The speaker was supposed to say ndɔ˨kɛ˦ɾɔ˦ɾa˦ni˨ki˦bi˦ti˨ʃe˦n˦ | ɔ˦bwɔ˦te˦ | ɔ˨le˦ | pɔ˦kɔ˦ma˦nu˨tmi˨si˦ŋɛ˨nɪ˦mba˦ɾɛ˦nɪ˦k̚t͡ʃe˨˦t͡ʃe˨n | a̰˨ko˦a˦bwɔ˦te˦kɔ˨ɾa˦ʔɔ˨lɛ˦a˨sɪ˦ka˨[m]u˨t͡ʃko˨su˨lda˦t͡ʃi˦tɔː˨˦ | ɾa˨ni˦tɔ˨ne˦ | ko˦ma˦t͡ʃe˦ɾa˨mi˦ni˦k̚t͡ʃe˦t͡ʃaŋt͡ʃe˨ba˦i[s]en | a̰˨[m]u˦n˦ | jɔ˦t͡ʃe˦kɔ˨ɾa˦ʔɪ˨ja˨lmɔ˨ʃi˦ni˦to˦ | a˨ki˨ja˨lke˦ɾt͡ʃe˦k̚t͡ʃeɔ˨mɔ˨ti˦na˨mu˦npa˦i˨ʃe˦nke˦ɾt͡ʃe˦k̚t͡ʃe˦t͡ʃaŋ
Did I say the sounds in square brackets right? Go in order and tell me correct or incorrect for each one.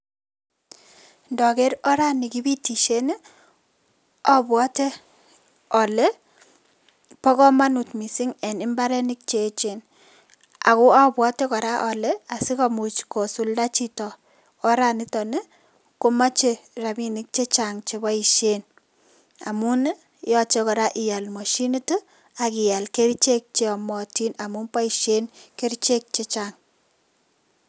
correct, incorrect: ʃ, correct

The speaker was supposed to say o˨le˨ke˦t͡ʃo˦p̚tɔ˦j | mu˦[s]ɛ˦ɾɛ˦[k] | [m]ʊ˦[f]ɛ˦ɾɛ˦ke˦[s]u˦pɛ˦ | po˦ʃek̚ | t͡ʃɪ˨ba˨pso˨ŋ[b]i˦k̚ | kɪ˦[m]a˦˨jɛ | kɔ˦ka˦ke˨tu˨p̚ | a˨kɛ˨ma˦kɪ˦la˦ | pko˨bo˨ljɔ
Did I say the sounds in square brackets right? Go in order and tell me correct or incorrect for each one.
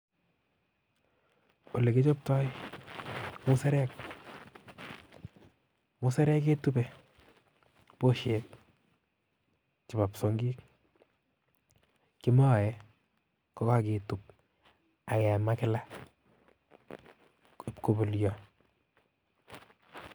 correct, correct, correct, incorrect: s, incorrect: t, incorrect: ɡ, correct

